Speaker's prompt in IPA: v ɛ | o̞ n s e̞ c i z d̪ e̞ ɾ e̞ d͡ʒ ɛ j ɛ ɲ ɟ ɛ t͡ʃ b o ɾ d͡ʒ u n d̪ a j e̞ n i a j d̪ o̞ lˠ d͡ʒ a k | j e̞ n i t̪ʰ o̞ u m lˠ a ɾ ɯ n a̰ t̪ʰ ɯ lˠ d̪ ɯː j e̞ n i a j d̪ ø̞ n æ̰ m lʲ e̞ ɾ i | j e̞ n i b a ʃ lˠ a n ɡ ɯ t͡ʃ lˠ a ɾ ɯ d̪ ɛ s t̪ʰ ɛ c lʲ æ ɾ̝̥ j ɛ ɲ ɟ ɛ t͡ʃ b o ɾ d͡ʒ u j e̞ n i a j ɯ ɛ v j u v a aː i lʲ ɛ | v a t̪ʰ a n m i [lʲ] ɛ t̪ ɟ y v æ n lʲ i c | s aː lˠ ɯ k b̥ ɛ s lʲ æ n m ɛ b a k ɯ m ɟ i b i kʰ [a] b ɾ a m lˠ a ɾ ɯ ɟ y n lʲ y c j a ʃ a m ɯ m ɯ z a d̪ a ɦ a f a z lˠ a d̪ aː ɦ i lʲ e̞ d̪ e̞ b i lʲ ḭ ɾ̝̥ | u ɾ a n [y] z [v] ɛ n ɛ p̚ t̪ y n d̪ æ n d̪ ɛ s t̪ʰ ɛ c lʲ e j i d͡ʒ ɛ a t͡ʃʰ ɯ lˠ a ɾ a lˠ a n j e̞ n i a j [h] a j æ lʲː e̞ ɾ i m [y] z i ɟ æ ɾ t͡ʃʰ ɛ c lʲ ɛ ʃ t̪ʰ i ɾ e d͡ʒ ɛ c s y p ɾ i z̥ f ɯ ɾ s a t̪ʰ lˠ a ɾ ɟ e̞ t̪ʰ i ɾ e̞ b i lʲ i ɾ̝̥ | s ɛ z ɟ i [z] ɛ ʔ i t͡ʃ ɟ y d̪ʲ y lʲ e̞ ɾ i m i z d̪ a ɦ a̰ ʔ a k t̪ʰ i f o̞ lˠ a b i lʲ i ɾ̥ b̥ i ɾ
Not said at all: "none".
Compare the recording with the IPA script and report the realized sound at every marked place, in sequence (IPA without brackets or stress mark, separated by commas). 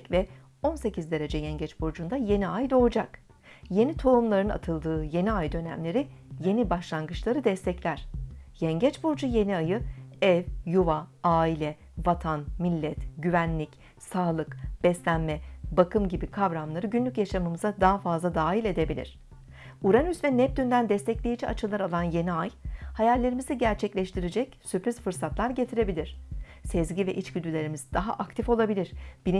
lʲː, a, y, v, h, i, v